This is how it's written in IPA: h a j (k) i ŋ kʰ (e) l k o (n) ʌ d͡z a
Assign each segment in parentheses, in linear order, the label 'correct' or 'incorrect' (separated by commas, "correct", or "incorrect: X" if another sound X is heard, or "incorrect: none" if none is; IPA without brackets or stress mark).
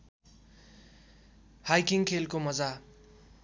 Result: correct, correct, incorrect: m